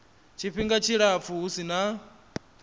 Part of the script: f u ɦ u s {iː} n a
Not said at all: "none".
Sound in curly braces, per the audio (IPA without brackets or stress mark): i